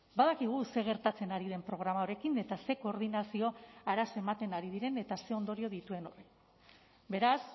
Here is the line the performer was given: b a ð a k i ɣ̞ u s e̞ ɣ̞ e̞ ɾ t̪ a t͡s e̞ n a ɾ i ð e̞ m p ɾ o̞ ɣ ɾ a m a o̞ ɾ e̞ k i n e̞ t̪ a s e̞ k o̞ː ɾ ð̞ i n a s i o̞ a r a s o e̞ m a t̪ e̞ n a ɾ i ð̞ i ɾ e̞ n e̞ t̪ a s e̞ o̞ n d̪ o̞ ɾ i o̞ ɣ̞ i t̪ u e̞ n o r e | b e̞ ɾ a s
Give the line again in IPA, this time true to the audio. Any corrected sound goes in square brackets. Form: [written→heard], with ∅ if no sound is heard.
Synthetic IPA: b a ð a k i ɣ̞ u s e̞ ɣ̞ e̞ ɾ t̪ a t͡s e̞ n a ɾ i ð e̞ m p ɾ o̞ ɣ ɾ a m a o̞ ɾ e̞ k i n e̞ t̪ a s e̞ k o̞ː ɾ ð̞ i n a s i o̞ a [r→ɾ] a s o e̞ m a t̪ e̞ n a ɾ i ð̞ i ɾ e̞ n e̞ t̪ a s e̞ o̞ n d̪ o̞ ɾ i o̞ [ɣ̞→ð̞] i t̪ u e̞ n o r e | b e̞ ɾ a s